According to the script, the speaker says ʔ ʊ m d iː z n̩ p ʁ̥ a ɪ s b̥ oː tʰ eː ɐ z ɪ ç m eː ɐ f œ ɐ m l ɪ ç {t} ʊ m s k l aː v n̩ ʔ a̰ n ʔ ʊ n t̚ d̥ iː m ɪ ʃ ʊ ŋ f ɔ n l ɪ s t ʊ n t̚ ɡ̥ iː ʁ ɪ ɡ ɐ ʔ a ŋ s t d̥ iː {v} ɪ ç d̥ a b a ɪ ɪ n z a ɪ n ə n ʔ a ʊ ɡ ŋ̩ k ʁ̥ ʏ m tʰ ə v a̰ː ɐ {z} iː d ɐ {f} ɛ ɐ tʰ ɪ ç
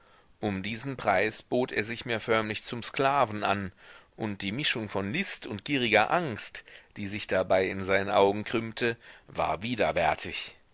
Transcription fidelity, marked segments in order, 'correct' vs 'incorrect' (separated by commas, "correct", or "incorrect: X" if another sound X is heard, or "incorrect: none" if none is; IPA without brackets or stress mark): incorrect: t͡s, incorrect: z, incorrect: v, incorrect: v